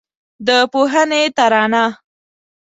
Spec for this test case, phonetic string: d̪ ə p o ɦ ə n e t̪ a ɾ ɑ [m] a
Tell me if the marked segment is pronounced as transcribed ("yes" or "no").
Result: no